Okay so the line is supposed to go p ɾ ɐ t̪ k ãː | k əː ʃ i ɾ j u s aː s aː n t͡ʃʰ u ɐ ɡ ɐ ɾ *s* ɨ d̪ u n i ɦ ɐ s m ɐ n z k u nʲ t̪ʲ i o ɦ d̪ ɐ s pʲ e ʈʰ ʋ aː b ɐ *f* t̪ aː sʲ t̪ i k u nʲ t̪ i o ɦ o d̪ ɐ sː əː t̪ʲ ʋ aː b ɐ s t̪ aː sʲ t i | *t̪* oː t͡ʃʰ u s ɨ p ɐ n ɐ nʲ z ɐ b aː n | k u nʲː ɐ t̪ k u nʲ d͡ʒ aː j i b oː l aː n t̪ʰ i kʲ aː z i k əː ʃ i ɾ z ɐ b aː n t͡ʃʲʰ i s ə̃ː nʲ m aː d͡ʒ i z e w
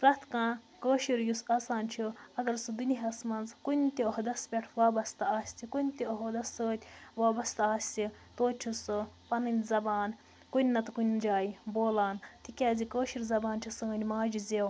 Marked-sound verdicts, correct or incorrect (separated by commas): correct, incorrect, correct